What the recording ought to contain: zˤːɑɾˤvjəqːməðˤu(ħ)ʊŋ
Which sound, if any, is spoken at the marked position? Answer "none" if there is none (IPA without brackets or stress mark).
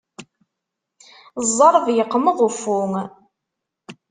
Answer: f